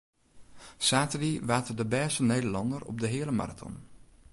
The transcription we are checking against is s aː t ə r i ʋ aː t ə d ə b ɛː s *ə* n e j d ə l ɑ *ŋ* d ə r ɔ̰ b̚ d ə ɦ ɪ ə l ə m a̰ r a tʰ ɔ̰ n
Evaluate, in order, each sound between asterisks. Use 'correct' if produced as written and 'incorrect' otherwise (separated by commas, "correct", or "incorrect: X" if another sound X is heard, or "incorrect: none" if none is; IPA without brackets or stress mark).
correct, incorrect: n